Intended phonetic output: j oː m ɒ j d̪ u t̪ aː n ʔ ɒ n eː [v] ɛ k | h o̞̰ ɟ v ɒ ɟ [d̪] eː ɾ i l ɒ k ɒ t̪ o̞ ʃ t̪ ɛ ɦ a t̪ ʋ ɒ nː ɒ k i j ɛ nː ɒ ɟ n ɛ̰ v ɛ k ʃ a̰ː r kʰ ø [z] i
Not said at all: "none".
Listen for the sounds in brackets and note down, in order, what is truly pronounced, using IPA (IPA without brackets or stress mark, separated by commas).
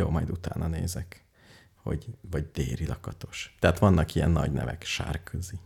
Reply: z, d̪, z